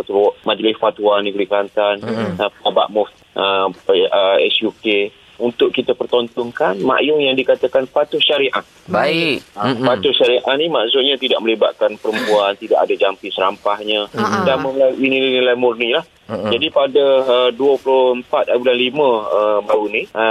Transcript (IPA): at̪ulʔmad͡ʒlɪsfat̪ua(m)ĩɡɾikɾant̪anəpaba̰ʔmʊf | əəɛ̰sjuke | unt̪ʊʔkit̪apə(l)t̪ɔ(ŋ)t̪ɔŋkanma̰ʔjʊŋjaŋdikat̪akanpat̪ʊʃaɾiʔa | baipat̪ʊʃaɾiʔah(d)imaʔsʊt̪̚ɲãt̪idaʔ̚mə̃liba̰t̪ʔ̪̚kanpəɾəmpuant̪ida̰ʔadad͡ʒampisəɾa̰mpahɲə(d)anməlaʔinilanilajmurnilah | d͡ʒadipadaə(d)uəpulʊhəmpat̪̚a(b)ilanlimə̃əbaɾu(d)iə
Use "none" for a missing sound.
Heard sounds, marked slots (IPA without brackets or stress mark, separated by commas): n, r, n, n, d, d, b, n